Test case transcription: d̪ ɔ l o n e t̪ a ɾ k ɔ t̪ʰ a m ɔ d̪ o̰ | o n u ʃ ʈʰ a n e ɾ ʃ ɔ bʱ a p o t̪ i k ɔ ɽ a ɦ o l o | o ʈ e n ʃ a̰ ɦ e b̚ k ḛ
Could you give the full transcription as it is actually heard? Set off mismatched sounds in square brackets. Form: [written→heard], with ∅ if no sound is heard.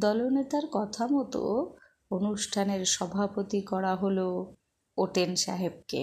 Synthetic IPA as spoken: d̪ ɔ l o n e t̪ a ɾ k ɔ t̪ʰ a m ɔ [d̪→t̪] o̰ | o n u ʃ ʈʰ a n e ɾ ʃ ɔ bʱ a p o t̪ i k ɔ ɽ a ɦ o l o | o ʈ e n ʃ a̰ ɦ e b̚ k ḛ